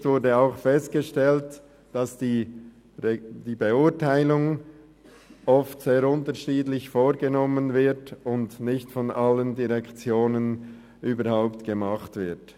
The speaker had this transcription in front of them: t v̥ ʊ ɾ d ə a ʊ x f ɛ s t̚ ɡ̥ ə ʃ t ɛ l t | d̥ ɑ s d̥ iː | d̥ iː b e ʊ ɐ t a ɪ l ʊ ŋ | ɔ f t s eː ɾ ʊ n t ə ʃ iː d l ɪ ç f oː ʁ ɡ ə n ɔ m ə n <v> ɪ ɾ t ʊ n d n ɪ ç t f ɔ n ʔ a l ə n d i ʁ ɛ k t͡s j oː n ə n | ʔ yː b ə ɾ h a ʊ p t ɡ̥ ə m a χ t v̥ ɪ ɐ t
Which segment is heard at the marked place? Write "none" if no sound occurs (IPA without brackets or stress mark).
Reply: v